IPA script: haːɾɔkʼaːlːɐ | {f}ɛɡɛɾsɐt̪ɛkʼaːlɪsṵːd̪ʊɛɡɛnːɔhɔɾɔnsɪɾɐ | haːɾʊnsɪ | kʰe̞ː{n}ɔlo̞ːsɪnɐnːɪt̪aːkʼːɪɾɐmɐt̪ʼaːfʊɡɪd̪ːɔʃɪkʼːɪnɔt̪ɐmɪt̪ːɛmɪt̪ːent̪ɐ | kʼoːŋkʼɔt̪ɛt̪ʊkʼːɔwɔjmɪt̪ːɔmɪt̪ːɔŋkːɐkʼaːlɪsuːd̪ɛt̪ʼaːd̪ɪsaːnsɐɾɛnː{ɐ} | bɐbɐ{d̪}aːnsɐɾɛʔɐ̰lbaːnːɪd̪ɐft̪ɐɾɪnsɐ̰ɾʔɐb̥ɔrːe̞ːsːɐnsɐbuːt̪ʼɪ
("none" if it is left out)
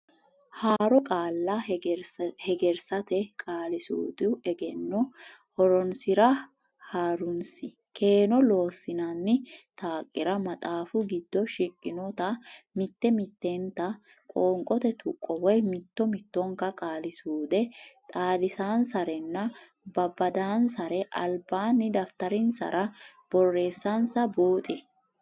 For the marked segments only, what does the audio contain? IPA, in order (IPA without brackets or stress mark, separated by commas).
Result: h, n, ɐ, d̪